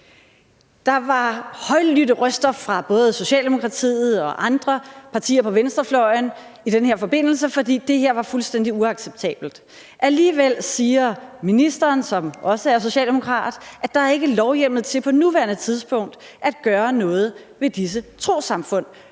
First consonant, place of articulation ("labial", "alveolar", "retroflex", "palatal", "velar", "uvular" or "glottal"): alveolar